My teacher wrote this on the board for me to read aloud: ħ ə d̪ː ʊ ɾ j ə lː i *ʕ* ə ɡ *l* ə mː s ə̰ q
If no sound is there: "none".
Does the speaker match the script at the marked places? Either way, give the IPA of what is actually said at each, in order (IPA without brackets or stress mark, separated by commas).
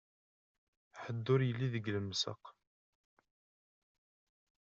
ð, l